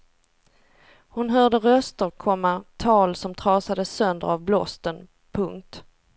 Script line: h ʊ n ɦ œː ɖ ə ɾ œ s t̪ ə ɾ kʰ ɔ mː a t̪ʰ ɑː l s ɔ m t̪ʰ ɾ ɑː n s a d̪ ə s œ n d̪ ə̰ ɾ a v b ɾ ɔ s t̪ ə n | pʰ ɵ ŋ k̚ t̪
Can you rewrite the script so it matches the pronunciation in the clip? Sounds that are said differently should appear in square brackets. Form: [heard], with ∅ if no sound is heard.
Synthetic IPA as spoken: h ʊ n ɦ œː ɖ ə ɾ œ s t̪ ə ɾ kʰ ɔ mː a t̪ʰ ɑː l s ɔ m t̪ʰ ɾ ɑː [∅] s a d̪ ə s œ n d̪ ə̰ ɾ a v b [l] ɔ s t̪ ə n | pʰ ɵ ŋ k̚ t̪